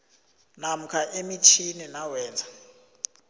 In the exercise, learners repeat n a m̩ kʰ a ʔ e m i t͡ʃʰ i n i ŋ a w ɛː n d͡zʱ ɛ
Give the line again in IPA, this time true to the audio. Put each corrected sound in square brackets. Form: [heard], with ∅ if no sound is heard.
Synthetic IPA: n a m̩ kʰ a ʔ e m i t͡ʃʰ i n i [n] a w ɛː n d͡zʱ [a]